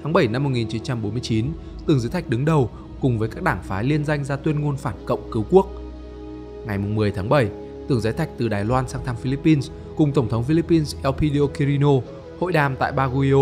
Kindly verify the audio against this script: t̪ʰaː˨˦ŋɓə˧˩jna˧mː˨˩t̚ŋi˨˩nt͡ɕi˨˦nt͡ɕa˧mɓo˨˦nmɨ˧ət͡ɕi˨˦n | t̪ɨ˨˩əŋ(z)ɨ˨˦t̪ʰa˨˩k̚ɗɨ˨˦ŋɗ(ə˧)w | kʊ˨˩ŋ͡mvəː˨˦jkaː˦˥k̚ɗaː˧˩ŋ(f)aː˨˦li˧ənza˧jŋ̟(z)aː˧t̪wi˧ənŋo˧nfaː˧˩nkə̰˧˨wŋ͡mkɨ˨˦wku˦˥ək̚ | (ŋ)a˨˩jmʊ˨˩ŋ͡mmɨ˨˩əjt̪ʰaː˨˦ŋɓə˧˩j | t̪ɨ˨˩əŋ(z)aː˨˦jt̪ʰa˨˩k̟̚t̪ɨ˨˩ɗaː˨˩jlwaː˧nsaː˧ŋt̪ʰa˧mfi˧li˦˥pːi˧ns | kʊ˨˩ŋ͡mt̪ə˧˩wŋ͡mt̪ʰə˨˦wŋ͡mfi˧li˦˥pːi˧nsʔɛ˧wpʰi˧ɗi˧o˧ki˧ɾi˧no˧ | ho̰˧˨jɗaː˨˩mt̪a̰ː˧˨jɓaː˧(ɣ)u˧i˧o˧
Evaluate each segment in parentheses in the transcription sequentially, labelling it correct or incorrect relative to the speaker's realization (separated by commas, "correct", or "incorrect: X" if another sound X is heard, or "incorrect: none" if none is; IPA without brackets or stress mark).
correct, incorrect: ə˨˩, correct, correct, correct, correct, correct